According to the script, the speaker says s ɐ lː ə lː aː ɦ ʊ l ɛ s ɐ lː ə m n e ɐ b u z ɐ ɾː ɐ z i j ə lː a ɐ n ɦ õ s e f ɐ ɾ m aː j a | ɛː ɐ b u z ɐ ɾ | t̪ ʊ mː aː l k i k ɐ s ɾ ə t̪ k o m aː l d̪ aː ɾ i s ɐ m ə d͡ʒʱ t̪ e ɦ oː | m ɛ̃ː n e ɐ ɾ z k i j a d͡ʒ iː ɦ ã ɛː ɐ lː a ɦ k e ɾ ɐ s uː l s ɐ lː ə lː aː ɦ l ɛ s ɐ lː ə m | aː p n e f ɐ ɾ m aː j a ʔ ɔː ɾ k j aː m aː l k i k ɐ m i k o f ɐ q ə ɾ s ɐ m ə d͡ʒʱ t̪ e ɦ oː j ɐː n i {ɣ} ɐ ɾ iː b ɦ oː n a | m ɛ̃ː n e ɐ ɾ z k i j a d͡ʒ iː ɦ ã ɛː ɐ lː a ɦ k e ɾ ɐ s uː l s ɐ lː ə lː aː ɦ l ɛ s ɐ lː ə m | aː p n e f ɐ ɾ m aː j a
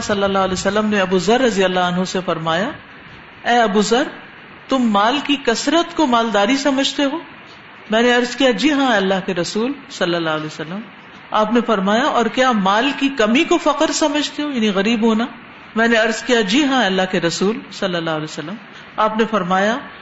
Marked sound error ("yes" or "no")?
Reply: no